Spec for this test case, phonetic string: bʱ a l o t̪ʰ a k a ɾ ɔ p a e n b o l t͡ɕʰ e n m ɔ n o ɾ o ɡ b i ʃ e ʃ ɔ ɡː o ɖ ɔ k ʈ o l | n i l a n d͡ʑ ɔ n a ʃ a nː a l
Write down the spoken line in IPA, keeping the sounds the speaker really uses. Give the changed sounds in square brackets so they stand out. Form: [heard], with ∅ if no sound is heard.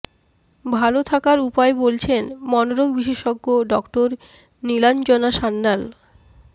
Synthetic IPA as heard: bʱ a l o t̪ʰ a k a ɾ [u] p a e [∅] b o l t͡ɕʰ e n m ɔ n o ɾ o ɡ b i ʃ e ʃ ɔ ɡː o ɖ ɔ k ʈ o [ɾ] | n i l a n d͡ʑ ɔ n a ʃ a nː a l